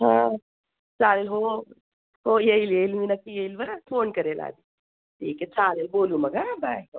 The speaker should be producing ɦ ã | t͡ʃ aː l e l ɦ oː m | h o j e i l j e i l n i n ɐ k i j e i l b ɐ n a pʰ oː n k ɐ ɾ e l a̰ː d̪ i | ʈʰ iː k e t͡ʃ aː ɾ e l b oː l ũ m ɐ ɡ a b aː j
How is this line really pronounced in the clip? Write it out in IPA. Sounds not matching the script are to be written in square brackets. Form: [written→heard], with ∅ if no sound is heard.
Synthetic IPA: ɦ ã | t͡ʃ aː l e l ɦ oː [m→∅] | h o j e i l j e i l [n→m] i n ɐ k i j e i l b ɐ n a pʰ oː n k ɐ ɾ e l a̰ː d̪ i | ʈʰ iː k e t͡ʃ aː [ɾ→l] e l b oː l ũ m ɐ ɡ a b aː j